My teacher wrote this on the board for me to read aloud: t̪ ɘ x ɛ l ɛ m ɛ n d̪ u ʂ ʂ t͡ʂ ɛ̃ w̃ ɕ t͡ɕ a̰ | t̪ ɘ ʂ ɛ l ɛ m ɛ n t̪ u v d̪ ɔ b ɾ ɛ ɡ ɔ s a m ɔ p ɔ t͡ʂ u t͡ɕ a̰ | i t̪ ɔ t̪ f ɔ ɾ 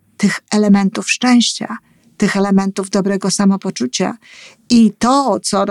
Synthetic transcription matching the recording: t̪ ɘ x ɛ l ɛ m ɛ n t̪ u f ʂ t͡ʂ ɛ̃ w̃ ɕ t͡ɕ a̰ | t̪ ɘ x ɛ l ɛ m ɛ n t̪ u v d̪ ɔ b ɾ ɛ ɡ ɔ s a m ɔ p ɔ t͡ʂ u t͡ɕ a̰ | i t̪ ɔ t̪ s ɔ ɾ